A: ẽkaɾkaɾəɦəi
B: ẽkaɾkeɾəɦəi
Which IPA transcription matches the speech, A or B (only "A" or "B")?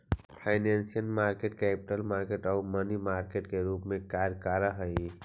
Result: A